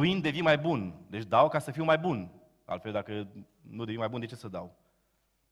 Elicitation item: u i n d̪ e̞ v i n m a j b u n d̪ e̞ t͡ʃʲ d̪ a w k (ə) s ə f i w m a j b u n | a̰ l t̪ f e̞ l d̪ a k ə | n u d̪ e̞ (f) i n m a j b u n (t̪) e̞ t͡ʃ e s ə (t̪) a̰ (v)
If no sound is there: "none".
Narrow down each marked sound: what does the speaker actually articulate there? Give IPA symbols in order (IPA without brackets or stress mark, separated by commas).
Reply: a, v, d̪, d̪, w